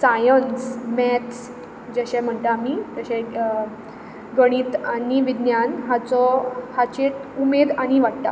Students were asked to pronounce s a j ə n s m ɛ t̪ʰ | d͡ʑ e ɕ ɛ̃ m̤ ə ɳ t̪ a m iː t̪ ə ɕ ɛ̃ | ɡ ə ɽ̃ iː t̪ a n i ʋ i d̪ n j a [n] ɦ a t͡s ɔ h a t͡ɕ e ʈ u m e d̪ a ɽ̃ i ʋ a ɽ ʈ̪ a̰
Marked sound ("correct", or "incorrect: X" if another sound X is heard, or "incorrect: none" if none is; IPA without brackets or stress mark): correct